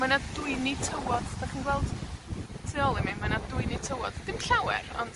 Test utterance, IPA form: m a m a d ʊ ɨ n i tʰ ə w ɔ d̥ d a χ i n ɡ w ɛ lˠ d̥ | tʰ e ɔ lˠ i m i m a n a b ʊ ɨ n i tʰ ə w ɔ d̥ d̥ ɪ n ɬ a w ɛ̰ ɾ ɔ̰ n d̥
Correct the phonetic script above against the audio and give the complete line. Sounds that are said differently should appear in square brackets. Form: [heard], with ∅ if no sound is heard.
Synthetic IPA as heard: m a [n] a d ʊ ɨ n i tʰ ə w ɔ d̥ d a χ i n ɡ w ɛ lˠ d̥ | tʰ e ɔ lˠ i m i m a n a [d] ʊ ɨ n i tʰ ə w ɔ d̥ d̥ ɪ [m] ɬ a w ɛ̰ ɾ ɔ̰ n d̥

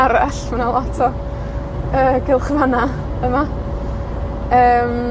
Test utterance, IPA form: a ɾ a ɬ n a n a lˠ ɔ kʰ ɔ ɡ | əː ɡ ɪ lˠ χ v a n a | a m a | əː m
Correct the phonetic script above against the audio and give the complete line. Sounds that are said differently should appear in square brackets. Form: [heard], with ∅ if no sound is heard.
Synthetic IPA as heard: a ɾ a ɬ [m] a n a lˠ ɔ [tʰ] ɔ [∅] | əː ɡ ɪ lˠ χ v a n a | [ə] m a | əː m

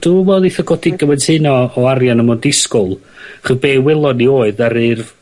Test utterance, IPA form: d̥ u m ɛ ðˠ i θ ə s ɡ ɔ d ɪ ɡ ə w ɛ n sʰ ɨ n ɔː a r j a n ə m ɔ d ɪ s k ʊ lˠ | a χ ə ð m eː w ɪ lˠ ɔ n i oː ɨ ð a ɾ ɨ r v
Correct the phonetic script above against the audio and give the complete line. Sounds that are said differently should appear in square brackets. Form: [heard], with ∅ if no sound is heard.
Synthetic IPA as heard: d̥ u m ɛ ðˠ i θ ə [∅] ɡ ɔ d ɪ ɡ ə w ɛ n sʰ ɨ n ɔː a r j a n ə m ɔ d ɪ s k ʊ lˠ | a χ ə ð [b] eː w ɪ lˠ ɔ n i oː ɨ ð a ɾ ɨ r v

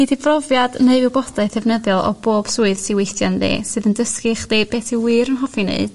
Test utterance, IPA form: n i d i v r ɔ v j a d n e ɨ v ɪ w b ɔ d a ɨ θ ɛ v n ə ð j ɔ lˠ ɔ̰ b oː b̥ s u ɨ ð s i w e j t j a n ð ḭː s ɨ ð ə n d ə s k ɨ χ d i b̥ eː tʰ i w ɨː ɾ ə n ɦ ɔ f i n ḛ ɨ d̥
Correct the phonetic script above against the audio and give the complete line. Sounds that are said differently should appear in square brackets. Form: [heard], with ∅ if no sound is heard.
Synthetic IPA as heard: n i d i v r ɔ v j a d n e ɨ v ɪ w b ɔ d a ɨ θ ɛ v n ə ð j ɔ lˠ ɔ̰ b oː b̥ s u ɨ ð s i w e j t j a n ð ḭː s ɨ ð ə n d ə s k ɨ χ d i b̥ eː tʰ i w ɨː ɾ ə n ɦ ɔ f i n ḛ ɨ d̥

